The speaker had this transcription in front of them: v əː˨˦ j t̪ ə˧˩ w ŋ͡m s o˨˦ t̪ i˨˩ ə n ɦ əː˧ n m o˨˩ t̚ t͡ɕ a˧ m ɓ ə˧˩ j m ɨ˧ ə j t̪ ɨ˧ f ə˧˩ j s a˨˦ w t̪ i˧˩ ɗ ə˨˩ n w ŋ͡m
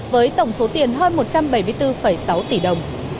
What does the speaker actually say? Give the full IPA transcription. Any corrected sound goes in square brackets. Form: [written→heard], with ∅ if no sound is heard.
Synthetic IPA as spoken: v əː˨˦ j t̪ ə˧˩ w ŋ͡m s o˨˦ t̪ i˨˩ ə n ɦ əː˧ n m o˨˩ t̚ t͡ɕ a˧ m ɓ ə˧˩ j m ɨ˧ ə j t̪ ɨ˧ f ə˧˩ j s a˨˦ w t̪ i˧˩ ɗ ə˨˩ [n→∅] w ŋ͡m

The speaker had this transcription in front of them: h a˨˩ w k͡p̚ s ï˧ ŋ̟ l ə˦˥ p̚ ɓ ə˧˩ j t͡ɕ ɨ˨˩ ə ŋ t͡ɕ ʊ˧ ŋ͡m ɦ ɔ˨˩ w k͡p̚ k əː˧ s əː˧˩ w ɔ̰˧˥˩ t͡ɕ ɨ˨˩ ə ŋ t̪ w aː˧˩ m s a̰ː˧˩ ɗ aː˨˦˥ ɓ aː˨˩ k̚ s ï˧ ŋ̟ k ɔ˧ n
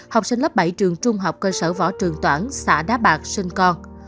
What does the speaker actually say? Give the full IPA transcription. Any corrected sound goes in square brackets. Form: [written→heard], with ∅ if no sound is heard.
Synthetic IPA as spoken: h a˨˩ w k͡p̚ s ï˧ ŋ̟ l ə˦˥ p̚ ɓ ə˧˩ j t͡ɕ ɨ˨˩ ə ŋ t͡ɕ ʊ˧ ŋ͡m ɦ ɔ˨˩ w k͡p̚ k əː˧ s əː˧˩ [w→v] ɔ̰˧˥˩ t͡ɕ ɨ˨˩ ə ŋ t̪ w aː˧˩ [m→n] s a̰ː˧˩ ɗ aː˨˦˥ ɓ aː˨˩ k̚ s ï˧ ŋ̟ k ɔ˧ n

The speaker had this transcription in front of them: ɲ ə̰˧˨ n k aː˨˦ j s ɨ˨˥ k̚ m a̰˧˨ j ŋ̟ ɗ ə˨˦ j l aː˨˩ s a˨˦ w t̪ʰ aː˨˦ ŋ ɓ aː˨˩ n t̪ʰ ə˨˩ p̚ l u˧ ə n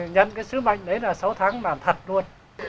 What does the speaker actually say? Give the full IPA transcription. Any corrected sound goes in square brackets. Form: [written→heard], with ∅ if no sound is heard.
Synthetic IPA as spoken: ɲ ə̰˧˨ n k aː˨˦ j s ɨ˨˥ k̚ m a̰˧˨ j ŋ̟ ɗ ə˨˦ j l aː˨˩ s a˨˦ w t̪ʰ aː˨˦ ŋ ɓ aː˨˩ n t̪ʰ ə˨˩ [p̚→t̚] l u˧ ə n

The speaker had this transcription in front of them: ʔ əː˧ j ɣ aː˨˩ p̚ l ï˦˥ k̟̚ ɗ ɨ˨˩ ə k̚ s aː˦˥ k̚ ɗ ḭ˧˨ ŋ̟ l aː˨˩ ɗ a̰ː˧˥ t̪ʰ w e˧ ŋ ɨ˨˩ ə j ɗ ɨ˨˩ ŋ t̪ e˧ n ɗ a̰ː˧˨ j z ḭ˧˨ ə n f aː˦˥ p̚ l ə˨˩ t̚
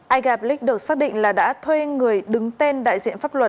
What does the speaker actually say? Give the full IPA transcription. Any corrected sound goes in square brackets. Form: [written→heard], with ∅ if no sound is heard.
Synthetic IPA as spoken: ʔ [əː˧→aː˧] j ɣ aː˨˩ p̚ l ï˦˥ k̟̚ ɗ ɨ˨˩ ə k̚ s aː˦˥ k̚ ɗ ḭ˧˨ ŋ̟ l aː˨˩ ɗ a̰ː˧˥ t̪ʰ w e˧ ŋ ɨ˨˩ ə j ɗ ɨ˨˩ ŋ t̪ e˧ n ɗ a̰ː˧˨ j z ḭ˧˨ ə n f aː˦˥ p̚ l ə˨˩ t̚

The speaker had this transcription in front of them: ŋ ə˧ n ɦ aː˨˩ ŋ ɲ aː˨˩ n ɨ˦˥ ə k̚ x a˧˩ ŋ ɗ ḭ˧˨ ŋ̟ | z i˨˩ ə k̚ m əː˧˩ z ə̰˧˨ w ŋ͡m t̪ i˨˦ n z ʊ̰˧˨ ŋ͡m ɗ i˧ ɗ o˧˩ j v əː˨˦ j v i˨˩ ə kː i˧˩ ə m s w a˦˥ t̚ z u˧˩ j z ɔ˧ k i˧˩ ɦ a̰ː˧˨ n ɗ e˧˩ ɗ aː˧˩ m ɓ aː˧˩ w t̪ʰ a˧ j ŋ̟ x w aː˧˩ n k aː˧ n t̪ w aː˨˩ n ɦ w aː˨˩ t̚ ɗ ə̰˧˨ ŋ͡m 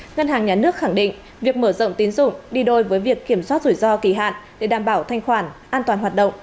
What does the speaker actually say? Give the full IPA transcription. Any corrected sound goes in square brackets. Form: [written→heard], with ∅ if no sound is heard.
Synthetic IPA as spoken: ŋ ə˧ n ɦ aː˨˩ ŋ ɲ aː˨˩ n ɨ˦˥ ə k̚ x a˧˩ ŋ ɗ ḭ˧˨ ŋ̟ | [z→v] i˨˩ ə k̚ m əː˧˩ z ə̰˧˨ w ŋ͡m t̪ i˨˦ n z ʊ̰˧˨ ŋ͡m ɗ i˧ ɗ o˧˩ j v əː˨˦ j v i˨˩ ə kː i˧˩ ə m s w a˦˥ t̚ z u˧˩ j z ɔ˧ k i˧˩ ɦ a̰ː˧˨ n ɗ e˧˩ ɗ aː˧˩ m ɓ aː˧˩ w t̪ʰ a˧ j ŋ̟ x w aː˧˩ n [k→ʔ] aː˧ n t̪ w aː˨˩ n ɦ w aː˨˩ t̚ ɗ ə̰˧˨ ŋ͡m

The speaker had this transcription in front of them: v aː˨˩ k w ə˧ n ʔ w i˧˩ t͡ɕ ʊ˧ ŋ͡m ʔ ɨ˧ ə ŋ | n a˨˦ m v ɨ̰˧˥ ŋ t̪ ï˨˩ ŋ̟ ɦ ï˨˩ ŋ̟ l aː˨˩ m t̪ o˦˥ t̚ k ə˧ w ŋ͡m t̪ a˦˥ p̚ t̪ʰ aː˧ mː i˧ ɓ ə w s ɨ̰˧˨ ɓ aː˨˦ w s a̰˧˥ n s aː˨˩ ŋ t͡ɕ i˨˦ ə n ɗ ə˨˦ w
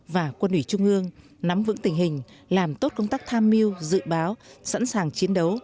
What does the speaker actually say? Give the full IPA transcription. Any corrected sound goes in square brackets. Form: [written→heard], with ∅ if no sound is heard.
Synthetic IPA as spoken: v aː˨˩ k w ə˧ n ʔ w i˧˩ t͡ɕ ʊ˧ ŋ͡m ʔ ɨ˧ ə ŋ | n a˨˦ m v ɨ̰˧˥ ŋ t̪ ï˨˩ ŋ̟ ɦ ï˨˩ ŋ̟ l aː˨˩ m t̪ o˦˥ t̚ k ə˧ w ŋ͡m t̪ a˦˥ [p̚→k̚] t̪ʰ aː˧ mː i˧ [ɓ→∅] ə w [s→z] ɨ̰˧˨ ɓ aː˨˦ w s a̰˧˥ n s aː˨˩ ŋ t͡ɕ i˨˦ ə n ɗ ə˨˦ w

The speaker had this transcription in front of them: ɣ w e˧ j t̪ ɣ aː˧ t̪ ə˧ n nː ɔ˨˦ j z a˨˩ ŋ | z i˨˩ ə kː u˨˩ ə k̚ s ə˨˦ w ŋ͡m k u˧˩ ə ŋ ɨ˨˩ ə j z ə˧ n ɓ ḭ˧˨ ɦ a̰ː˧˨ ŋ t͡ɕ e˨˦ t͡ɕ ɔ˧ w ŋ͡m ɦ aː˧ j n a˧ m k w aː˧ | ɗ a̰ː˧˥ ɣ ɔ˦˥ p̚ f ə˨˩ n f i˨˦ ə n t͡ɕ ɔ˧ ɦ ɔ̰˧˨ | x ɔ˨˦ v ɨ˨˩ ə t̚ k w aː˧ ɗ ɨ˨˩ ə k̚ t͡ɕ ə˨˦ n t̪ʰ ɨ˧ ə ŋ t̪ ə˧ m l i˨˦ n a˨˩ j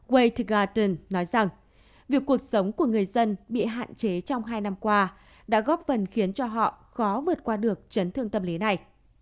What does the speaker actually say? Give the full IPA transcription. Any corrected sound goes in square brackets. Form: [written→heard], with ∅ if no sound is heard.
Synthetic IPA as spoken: ɣ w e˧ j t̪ ɣ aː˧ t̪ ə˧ n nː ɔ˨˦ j z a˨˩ ŋ | [z→v] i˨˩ ə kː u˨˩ ə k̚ s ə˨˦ w ŋ͡m k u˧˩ ə ŋ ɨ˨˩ ə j z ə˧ n ɓ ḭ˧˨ ɦ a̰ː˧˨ [ŋ→n] t͡ɕ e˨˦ t͡ɕ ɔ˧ w ŋ͡m ɦ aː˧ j n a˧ m k w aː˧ | ɗ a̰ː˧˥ ɣ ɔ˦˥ p̚ f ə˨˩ n [f→x] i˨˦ ə n t͡ɕ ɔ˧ ɦ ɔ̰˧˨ | x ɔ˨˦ v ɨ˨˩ ə t̚ k w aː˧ ɗ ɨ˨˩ ə k̚ t͡ɕ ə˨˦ n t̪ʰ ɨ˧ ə ŋ t̪ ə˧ m l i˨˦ n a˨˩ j

